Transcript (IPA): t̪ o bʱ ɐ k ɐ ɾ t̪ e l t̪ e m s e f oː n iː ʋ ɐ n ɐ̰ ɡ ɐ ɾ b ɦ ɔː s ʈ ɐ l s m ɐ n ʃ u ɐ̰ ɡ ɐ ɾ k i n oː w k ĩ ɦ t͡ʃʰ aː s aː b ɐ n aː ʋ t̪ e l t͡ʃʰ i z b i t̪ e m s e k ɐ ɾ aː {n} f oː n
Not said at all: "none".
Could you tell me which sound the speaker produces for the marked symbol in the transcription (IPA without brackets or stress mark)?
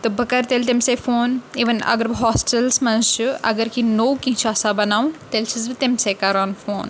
n